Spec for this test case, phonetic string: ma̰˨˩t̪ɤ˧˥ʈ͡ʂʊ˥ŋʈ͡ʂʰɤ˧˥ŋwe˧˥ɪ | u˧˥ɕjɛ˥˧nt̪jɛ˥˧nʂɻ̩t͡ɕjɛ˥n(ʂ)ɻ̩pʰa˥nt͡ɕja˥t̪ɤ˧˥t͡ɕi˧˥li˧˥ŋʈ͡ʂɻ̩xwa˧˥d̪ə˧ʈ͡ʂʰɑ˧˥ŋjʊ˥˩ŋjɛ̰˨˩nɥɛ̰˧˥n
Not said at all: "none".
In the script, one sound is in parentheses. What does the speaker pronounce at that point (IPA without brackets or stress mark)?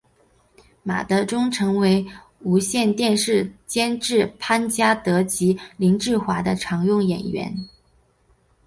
ʈ͡ʂ